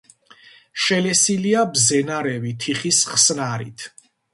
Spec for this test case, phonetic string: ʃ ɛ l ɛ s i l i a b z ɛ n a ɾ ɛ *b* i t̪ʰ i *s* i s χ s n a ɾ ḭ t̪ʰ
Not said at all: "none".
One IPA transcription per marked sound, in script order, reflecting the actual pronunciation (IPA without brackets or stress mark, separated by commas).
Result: v, χ